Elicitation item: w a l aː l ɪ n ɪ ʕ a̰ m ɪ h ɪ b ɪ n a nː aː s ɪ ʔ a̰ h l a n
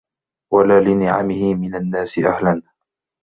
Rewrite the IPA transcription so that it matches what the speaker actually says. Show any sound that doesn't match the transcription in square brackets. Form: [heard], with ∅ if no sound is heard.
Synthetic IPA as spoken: w a l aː l ɪ n ɪ ʕ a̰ m ɪ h ɪ [m] ɪ n a nː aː s ɪ ʔ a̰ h l a n